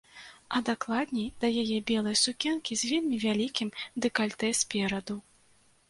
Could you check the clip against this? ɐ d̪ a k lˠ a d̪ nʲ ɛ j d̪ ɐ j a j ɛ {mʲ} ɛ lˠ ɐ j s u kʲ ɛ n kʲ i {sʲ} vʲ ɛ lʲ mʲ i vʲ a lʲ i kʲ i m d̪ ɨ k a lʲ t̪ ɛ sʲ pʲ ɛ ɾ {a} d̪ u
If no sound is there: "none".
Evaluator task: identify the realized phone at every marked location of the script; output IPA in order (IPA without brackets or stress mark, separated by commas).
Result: bʲ, zʲ, ɐ